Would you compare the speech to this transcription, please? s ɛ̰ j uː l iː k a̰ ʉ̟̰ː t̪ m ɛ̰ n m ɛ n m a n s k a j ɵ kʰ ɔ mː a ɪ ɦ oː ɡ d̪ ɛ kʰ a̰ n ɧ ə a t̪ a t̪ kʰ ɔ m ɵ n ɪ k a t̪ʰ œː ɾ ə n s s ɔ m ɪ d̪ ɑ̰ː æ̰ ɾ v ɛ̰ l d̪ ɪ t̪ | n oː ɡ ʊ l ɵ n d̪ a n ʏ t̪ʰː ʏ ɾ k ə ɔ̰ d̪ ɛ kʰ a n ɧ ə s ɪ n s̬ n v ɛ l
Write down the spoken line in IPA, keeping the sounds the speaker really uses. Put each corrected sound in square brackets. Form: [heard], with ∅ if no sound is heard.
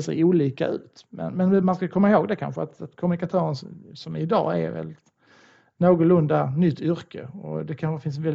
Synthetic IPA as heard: s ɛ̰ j uː l iː k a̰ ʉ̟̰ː t̪ m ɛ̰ n m ɛ n m a n s k a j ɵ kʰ ɔ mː a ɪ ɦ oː ɡ d̪ ɛ kʰ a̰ n ɧ ə a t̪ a t̪ kʰ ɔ m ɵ n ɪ k a t̪ʰ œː ɾ ə n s s ɔ m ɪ d̪ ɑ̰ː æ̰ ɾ v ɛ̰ l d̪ ɪ t̪ | n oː ɡ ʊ l ɵ n d̪ a n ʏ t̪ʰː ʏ ɾ k ə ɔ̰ d̪ ɛ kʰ a n ɧ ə [f] ɪ n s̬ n v ɛ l